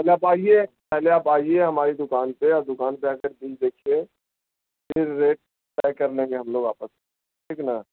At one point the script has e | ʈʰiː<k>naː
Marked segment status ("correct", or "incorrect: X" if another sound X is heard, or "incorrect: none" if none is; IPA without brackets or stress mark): correct